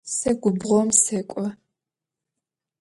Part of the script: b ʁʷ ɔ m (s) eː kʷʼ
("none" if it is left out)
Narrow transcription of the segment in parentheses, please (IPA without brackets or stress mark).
s